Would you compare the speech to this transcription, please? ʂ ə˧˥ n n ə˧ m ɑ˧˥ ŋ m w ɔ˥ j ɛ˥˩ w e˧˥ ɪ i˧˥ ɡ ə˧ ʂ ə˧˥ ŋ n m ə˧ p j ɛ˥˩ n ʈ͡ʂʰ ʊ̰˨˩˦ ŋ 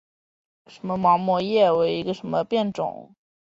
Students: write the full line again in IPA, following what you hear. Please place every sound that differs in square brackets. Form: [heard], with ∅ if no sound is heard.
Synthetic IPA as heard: ʂ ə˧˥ n [m] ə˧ m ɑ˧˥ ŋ m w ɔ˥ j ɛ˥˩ w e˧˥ ɪ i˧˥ ɡ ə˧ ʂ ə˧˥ [∅] n m ə˧ p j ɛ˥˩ n [ʈ͡ʂ] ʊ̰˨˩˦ ŋ